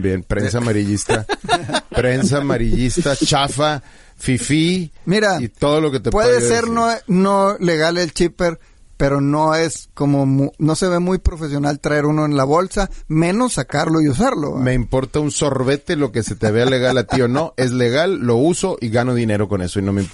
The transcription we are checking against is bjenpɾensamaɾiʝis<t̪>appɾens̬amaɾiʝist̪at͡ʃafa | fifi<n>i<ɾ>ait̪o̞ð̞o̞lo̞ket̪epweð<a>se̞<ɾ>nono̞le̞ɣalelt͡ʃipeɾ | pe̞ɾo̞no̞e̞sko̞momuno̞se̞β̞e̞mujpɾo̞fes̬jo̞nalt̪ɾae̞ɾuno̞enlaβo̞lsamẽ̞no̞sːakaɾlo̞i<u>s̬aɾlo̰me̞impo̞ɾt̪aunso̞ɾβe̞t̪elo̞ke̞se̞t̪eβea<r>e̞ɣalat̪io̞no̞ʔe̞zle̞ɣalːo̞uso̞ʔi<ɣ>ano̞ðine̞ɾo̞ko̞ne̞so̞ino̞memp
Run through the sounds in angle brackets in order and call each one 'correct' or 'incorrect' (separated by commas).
correct, incorrect, correct, incorrect, correct, correct, incorrect, correct